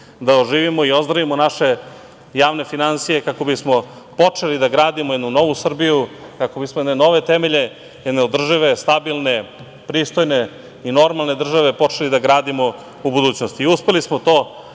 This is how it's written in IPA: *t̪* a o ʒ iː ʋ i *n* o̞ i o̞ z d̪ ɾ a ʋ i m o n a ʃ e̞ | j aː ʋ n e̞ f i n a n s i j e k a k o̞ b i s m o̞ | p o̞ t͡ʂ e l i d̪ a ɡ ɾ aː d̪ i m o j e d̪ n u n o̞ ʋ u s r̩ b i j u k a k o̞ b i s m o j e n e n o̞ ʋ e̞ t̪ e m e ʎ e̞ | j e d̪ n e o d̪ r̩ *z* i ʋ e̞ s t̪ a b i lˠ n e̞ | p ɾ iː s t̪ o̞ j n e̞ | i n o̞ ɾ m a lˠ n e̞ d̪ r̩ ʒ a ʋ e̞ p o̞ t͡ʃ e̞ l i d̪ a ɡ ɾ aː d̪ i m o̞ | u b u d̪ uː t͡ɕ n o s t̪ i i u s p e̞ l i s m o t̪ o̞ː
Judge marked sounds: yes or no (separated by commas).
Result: no, no, no